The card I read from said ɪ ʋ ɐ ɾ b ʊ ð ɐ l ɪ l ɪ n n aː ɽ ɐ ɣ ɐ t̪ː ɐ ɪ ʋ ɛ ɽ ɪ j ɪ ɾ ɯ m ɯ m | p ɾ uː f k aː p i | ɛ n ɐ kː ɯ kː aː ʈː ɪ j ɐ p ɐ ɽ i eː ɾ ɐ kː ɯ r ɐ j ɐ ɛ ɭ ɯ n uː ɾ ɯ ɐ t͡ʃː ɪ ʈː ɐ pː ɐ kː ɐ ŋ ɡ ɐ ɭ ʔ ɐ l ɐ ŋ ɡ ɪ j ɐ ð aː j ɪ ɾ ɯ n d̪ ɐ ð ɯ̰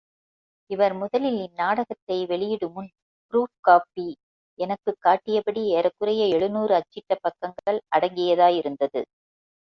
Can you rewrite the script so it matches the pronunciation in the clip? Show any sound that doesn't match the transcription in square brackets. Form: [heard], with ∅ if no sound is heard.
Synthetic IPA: ɪ ʋ ɐ ɾ [m] ʊ ð ɐ l ɪ l ɪ n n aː ɽ ɐ ɣ ɐ t̪ː ɐ ɪ ʋ ɛ [ɭ] ɪ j ɪ [ɽ] ɯ m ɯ [n] | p ɾ uː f k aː p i | ɛ n ɐ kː ɯ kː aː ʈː ɪ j ɐ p ɐ ɽ i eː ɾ ɐ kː ɯ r ɐ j ɐ ɛ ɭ ɯ n uː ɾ ɯ ɐ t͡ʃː ɪ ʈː ɐ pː ɐ kː ɐ ŋ ɡ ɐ ɭ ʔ ɐ [ɽ] ɐ ŋ ɡ ɪ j ɐ ð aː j ɪ ɾ ɯ n d̪ ɐ ð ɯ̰